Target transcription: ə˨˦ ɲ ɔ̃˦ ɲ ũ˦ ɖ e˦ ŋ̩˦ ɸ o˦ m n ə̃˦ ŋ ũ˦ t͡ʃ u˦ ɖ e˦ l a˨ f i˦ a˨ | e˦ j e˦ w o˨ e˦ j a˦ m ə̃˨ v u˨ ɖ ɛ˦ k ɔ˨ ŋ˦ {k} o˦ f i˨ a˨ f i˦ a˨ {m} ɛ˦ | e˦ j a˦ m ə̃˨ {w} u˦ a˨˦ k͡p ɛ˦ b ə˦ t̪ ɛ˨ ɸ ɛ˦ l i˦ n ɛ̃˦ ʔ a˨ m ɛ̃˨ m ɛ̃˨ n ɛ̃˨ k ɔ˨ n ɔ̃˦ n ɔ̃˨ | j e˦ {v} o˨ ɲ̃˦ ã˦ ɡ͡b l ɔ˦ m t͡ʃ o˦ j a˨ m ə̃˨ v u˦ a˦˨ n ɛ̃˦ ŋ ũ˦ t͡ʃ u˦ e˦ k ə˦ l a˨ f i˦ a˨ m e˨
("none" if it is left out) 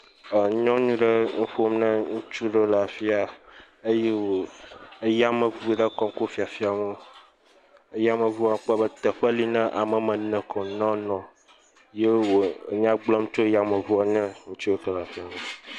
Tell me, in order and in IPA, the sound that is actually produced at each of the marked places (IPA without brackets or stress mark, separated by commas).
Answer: k, m, v, w